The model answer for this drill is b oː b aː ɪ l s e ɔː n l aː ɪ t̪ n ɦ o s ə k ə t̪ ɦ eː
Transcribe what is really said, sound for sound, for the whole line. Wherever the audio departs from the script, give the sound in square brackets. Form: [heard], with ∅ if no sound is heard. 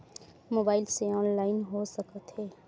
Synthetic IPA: [m] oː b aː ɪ l s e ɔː n l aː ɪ [∅] n ɦ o s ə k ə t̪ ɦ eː